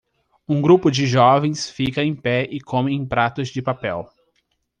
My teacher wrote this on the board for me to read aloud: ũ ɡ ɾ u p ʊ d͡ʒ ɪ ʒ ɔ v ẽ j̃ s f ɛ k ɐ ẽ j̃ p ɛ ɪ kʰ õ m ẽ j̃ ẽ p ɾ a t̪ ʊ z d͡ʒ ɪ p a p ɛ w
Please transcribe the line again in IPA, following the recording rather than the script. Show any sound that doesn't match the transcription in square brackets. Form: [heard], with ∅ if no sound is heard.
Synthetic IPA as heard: ũ ɡ ɾ u p ʊ d͡ʒ ɪ ʒ ɔ v ẽ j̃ s f [i] k ɐ ẽ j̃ p ɛ ɪ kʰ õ m ẽ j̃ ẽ p ɾ a t̪ ʊ z d͡ʒ ɪ p a p ɛ w